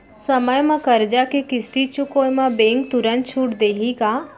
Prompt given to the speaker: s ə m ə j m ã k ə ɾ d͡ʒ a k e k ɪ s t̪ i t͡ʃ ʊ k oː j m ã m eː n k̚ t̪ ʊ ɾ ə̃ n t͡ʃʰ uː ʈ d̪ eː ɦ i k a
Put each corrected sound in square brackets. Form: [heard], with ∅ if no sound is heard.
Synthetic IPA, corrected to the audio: s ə m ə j m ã k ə ɾ d͡ʒ a k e k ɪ s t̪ i t͡ʃ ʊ k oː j m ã [b] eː [ŋ] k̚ t̪ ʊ ɾ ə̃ n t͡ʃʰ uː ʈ d̪ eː ɦ i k a